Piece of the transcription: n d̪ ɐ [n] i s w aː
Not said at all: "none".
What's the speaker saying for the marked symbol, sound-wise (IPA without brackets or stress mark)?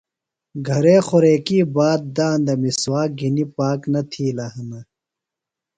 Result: m